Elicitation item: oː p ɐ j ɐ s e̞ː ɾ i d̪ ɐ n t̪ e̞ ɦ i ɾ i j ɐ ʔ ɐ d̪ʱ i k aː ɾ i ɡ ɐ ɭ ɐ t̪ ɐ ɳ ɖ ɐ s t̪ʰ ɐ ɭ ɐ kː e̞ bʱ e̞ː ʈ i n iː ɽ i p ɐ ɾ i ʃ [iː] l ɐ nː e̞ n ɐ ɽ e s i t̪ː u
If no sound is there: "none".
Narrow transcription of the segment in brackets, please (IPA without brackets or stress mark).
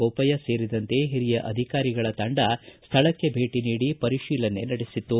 iː